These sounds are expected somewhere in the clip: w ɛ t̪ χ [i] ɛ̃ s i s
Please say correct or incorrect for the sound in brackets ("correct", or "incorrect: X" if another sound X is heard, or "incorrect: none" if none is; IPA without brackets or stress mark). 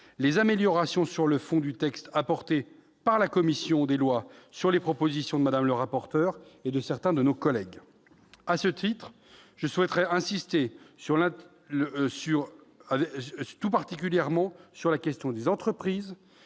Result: incorrect: ɛ